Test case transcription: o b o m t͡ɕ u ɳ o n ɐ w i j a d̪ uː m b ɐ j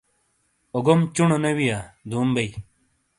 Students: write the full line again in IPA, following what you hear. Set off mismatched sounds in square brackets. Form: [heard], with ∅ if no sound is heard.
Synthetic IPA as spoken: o [ɡ] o m t͡ɕ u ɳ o n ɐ w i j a d̪ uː m b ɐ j